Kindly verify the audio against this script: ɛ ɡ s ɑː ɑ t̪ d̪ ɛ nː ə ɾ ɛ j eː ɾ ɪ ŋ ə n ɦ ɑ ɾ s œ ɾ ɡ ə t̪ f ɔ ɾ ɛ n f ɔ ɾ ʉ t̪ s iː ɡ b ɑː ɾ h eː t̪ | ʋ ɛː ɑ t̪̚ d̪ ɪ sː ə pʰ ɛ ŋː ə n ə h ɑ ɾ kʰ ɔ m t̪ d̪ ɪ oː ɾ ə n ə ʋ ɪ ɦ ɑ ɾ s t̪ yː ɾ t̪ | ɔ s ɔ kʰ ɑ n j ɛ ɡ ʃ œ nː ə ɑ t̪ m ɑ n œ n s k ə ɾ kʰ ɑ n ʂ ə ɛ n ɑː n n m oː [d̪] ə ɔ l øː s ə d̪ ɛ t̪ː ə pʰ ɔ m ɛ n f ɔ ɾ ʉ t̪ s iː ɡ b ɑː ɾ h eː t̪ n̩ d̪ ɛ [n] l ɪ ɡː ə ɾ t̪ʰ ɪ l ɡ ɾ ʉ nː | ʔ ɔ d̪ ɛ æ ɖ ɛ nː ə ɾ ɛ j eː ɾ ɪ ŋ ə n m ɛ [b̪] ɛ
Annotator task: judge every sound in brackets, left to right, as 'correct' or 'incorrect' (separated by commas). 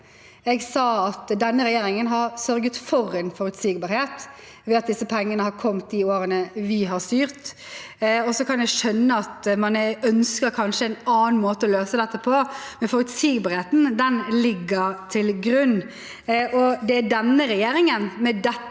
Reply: incorrect, correct, incorrect